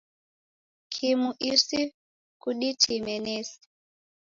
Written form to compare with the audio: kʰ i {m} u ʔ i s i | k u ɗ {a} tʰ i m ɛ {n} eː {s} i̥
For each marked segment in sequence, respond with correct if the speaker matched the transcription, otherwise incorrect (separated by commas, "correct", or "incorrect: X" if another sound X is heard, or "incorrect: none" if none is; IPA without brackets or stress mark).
correct, incorrect: i, correct, correct